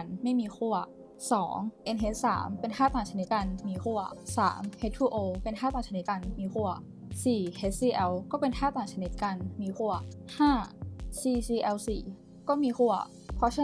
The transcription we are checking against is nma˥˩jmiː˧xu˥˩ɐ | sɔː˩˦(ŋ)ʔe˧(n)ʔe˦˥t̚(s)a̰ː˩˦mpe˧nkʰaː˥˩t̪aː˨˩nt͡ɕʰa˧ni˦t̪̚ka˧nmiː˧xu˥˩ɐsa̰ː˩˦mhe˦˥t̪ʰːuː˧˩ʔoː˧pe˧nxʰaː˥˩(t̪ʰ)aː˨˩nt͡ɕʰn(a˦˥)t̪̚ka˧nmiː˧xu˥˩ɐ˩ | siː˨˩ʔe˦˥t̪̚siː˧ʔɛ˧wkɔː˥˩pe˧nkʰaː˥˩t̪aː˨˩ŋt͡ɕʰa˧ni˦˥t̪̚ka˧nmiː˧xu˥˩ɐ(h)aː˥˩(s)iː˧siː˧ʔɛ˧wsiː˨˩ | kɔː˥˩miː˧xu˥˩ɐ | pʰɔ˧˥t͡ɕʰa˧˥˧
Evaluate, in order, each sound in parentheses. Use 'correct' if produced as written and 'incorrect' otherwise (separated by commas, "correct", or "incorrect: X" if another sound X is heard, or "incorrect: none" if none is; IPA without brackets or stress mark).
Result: correct, correct, correct, incorrect: t̪, incorrect: i˦˥, correct, correct